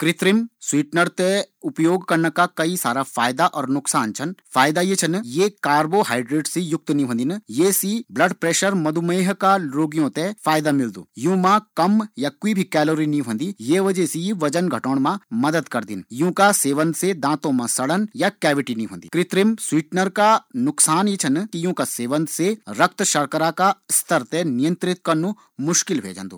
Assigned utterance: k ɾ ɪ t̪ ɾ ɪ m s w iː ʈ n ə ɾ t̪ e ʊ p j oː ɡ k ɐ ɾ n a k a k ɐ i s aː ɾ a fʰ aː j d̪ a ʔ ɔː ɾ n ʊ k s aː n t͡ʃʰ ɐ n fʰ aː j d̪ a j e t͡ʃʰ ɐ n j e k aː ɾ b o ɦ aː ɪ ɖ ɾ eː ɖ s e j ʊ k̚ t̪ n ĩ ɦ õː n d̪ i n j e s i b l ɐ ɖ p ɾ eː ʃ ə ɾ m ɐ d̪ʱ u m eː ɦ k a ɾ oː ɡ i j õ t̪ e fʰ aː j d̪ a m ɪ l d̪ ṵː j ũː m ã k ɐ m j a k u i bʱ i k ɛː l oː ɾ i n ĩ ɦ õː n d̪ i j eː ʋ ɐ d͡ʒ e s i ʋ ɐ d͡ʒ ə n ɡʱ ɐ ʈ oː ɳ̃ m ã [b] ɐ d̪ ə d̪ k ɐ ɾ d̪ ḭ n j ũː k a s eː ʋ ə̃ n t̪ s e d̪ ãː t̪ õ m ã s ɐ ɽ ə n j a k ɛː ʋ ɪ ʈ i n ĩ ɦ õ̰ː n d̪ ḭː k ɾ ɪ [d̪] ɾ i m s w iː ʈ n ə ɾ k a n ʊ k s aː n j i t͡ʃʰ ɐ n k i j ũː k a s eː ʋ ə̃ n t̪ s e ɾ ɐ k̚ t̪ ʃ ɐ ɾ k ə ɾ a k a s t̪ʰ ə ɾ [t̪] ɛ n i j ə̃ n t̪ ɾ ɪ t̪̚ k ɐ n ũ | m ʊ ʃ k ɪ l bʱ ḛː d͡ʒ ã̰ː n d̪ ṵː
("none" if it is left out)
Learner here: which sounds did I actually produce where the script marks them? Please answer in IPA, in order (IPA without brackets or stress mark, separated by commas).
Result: m, t̪, t̪